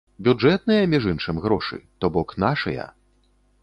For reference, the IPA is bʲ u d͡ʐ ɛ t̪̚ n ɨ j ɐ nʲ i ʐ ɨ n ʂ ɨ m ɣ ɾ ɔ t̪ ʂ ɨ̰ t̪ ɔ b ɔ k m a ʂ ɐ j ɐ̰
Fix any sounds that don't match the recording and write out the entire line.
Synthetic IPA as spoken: bʲ u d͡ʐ ɛ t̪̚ n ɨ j ɐ mʲ i ʐ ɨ n ʂ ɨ m ɣ ɾ ɔ ʂ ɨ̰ t̪ ɔ b ɔ k n a ʂ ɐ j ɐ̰